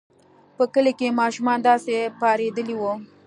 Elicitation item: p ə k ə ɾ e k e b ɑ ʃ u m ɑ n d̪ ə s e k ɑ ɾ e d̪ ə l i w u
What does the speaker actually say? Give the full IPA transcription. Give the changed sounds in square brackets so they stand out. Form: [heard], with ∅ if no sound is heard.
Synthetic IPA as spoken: p ə k ə [l] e k e [m] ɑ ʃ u m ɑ n d̪ [ɑ] s e [p] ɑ ɾ e d̪ ə l i w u